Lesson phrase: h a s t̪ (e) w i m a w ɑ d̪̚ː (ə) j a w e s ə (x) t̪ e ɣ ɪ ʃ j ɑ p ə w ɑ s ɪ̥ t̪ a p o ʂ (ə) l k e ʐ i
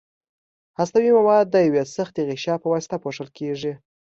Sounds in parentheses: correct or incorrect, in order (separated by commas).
incorrect, correct, correct, correct